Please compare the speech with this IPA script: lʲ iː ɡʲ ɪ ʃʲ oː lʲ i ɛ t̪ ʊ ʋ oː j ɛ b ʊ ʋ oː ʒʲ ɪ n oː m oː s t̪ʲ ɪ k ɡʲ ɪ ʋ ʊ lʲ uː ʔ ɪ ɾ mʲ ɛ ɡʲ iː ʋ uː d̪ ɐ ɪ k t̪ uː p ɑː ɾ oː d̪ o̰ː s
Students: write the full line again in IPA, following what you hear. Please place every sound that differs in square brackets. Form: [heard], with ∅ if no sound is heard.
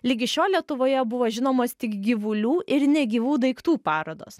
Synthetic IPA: lʲ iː ɡʲ ɪ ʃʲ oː lʲ i ɛ t̪ ʊ ʋ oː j ɛ b ʊ ʋ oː ʒʲ ɪ n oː m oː s t̪ʲ ɪ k ɡʲ ɪ ʋ ʊ lʲ uː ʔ ɪ ɾ [nʲ] ɛ ɡʲ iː ʋ uː d̪ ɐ ɪ k t̪ uː p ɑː ɾ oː d̪ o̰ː s